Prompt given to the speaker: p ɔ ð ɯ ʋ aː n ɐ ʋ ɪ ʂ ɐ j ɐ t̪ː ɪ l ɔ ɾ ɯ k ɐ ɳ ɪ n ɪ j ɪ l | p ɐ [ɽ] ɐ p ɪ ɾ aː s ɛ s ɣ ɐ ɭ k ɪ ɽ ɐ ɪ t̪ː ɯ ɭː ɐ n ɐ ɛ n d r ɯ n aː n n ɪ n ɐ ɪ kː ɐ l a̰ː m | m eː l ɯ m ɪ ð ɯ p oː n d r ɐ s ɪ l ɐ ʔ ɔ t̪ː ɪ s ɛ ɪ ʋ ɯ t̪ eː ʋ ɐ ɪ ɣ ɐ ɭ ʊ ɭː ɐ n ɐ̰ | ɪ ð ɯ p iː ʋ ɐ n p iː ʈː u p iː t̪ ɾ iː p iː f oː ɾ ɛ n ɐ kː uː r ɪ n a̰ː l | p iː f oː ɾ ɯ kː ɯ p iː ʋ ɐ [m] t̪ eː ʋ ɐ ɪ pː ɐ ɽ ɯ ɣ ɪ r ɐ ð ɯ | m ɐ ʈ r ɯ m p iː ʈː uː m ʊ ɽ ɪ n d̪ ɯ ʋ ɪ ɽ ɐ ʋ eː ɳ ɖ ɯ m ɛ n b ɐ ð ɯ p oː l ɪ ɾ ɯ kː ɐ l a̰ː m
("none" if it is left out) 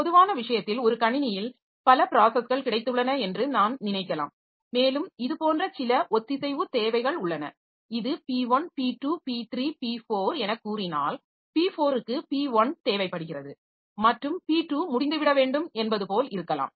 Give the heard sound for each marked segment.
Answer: l, n

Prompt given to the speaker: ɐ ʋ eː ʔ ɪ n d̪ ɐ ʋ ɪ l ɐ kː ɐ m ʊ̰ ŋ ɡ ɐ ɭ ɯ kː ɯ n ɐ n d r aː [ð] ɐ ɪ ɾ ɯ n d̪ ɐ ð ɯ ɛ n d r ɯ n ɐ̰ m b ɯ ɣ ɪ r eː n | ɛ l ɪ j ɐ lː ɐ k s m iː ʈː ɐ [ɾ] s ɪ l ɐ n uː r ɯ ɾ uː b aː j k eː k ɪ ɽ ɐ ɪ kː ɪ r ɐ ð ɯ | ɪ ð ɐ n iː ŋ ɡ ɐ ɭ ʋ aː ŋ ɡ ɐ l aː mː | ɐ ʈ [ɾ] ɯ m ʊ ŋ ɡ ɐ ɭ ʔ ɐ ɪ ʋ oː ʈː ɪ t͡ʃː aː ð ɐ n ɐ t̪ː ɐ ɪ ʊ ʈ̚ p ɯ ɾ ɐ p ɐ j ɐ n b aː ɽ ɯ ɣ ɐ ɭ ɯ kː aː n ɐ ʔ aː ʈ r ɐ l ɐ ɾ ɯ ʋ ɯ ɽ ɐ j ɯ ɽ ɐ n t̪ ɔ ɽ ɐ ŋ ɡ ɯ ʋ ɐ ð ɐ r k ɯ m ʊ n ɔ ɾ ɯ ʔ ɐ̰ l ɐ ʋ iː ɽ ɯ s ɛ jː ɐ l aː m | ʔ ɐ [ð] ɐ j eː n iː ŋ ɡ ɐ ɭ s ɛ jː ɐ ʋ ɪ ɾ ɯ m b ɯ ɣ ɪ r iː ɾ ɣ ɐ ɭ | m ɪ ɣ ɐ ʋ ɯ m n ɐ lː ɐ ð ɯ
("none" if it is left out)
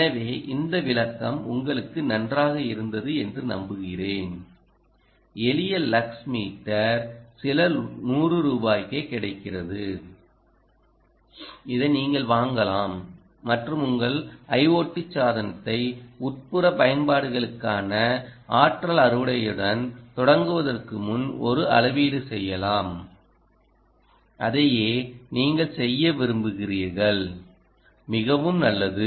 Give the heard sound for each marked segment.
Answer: ɣ, ɾ, r, ð

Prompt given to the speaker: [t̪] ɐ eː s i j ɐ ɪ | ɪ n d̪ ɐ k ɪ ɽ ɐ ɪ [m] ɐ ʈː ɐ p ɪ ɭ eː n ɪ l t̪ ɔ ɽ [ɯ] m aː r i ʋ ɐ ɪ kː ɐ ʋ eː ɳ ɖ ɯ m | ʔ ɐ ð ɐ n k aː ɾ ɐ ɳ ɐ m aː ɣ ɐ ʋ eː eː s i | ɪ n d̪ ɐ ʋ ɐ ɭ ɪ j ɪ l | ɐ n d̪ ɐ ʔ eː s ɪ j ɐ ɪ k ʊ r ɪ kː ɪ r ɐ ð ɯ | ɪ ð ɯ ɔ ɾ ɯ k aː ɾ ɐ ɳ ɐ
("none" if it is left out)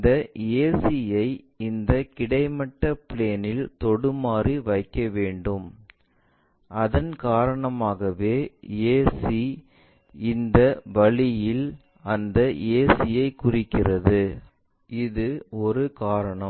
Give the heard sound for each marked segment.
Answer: d̪, m, ɯ

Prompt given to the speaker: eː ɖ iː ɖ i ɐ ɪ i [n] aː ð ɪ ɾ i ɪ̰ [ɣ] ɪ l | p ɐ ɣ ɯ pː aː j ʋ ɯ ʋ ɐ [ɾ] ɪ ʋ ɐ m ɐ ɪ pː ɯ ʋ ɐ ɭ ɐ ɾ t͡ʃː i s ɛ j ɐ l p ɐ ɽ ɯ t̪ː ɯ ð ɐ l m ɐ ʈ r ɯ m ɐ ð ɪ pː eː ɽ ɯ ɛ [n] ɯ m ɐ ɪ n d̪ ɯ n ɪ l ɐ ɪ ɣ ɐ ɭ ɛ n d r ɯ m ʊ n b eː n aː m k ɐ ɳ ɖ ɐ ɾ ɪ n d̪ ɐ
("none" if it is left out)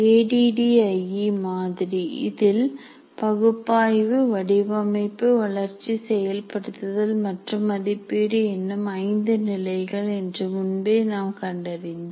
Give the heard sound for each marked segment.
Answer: m, ð, ɽ, nː

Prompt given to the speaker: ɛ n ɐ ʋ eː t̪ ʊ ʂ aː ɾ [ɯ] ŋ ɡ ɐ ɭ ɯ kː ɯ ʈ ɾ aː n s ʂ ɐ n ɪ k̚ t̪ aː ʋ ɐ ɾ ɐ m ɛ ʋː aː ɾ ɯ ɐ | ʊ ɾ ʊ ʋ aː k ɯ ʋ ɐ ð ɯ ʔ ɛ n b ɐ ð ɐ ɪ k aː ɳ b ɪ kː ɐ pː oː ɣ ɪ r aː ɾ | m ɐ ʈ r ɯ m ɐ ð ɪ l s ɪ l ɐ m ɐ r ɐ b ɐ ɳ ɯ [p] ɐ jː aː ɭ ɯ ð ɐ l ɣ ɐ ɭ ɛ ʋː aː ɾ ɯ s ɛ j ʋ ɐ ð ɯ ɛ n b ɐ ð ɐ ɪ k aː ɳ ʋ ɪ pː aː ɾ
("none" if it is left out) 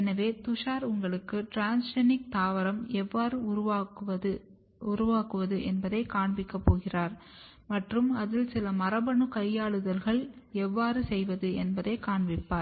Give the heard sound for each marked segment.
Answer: ʊ, k

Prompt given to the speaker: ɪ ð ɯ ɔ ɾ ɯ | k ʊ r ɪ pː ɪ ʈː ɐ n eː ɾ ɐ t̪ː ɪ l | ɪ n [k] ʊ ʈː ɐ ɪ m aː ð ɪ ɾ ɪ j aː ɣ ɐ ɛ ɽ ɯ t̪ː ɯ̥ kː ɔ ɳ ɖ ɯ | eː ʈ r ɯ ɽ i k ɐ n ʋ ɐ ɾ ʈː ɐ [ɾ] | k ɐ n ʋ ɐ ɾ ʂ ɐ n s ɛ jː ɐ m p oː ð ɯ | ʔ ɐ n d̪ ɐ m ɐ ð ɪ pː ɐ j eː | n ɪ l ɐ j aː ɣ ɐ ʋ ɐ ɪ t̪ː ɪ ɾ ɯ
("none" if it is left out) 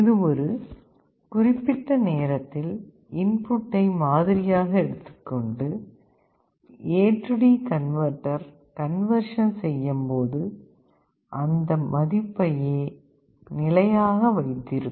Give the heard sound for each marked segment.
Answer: p, ɾ

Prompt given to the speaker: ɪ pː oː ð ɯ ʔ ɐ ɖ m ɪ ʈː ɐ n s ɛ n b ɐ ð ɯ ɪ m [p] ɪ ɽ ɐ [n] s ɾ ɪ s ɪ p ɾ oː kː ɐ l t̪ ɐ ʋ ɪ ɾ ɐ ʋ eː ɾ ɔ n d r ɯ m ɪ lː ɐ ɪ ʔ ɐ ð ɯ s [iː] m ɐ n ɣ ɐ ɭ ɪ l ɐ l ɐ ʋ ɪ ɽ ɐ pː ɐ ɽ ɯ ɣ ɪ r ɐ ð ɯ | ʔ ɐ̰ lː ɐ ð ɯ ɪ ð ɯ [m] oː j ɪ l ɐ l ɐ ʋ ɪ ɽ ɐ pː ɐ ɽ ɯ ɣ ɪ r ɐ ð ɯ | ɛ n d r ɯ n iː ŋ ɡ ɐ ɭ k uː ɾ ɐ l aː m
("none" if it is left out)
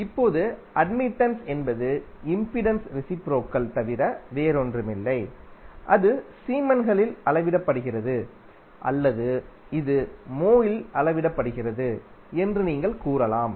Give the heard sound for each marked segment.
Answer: p, n, iː, m

